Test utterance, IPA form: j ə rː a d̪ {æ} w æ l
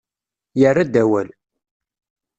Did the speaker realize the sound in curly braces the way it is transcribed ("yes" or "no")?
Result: yes